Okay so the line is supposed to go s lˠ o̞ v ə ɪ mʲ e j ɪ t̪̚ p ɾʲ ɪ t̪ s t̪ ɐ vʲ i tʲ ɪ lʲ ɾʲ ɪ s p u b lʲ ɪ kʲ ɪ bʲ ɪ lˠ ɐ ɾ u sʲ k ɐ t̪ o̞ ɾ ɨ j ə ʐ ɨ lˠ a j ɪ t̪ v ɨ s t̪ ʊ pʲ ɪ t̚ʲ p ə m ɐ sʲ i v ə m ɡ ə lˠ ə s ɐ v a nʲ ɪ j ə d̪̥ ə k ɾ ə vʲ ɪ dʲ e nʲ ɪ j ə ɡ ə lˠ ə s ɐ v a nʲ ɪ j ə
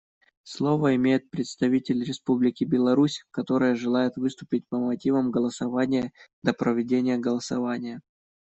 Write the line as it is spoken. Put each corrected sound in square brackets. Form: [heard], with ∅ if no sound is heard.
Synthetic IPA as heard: s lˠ o̞ v ə ɪ mʲ e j ɪ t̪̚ p ɾʲ ɪ t̪ s t̪ ɐ vʲ i tʲ ɪ lʲ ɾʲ ɪ s p u b lʲ ɪ kʲ ɪ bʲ ɪ lˠ ɐ ɾ u sʲ k ɐ t̪ o̞ ɾ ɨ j ə ʐ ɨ lˠ a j ɪ t̪ v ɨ s t̪ ʊ pʲ ɪ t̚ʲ p ə m ɐ [tʲ] i v ə m ɡ ə lˠ ə s ɐ v a nʲ ɪ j ə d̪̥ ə [p] ɾ ə vʲ ɪ dʲ e nʲ ɪ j ə ɡ ə lˠ ə s ɐ v a nʲ ɪ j ə